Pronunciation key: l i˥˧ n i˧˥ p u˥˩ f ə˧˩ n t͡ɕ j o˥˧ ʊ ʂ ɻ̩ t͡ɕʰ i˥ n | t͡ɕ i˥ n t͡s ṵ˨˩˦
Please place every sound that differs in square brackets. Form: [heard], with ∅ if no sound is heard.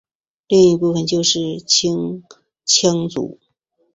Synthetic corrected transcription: l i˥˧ [ŋ] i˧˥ p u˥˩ f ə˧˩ n t͡ɕ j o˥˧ ʊ ʂ ɻ̩ t͡ɕʰ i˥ [ŋ] | [t͡ɕʰ] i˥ [ŋ] t͡s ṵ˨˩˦